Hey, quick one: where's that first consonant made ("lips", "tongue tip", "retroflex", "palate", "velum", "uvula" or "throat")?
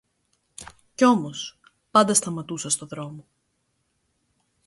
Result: palate